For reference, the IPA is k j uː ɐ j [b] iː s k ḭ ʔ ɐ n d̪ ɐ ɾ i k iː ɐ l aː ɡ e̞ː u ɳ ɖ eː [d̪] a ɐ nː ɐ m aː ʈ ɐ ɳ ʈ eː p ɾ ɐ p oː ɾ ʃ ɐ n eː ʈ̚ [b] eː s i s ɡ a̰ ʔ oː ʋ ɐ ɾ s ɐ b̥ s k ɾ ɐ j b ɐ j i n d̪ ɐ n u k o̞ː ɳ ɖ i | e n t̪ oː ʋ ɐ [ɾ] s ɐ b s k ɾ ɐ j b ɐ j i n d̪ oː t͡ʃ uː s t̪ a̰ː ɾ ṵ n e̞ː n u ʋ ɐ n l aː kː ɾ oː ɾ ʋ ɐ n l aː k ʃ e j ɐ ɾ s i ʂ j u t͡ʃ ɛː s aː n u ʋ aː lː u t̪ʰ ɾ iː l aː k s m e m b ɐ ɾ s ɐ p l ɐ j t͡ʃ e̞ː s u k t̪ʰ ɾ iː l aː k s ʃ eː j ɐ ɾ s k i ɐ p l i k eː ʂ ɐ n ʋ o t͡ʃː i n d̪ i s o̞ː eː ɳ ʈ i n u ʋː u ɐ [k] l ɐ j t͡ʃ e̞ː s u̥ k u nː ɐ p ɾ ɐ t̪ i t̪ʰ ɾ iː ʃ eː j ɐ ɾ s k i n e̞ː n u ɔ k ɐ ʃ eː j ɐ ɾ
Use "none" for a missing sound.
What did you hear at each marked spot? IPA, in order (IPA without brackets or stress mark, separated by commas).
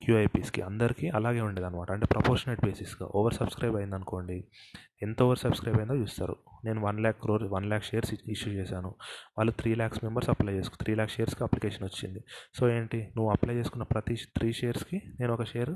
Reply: p, d̪, b, ɾ, p